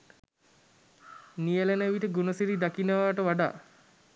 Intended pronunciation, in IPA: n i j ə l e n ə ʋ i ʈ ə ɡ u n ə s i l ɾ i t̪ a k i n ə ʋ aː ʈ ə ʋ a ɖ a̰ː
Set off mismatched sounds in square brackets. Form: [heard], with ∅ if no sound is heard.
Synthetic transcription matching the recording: n i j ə l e n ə ʋ i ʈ ə ɡ u n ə s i [∅] ɾ i [d̪] a k i n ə ʋ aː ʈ ə ʋ a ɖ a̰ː